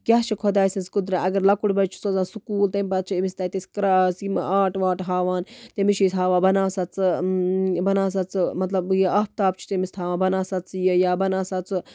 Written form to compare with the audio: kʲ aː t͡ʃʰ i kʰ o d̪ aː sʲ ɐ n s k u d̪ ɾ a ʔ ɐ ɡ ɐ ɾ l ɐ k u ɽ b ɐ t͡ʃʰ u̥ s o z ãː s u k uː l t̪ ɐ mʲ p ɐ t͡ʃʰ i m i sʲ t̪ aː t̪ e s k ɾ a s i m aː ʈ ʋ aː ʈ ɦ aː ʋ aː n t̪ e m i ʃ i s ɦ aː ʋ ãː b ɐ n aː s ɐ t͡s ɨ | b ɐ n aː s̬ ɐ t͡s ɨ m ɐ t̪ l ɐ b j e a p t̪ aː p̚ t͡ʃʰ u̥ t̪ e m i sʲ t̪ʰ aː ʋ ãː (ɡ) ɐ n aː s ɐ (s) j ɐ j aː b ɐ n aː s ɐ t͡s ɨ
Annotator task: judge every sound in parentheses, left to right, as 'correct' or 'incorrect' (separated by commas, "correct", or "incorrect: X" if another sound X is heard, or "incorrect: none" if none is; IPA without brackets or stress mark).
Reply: incorrect: b, incorrect: t͡s